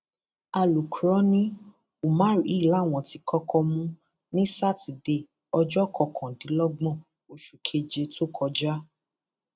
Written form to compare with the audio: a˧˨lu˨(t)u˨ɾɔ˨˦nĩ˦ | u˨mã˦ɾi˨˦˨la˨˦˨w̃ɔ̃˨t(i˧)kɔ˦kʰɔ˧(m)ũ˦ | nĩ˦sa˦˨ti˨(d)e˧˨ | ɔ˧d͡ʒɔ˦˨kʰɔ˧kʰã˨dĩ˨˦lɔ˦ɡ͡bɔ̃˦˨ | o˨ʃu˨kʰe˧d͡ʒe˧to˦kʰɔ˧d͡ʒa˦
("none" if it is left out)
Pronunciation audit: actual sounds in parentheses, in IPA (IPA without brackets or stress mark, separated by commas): k, i˧, m, d